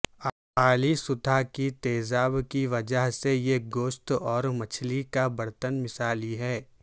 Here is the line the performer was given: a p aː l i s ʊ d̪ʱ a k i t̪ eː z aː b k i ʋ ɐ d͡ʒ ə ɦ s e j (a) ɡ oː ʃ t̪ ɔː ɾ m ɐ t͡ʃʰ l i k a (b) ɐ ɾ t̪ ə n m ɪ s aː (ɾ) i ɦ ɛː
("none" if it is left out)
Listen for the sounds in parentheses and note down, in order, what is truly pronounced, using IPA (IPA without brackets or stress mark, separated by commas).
e, b, l